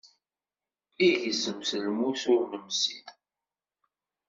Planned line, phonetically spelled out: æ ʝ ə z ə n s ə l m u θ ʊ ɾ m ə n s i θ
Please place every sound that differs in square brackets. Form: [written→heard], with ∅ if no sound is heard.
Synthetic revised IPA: [æ→i] ʝ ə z ə [n→m] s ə l m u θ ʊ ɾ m ə [n→m] s i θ